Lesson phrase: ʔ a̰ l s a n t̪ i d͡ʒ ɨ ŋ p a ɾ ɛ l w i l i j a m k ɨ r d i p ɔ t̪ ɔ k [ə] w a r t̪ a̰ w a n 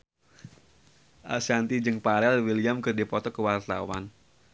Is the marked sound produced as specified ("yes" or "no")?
yes